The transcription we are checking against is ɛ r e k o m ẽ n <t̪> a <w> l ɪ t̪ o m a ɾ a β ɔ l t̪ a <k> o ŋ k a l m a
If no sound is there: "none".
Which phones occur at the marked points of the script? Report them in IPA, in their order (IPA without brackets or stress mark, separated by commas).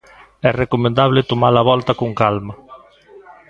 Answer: d̪, β, k